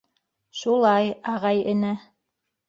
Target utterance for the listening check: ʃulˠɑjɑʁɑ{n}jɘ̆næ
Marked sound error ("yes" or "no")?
yes